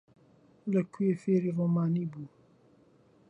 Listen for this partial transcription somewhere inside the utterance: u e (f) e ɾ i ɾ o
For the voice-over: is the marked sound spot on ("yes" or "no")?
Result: yes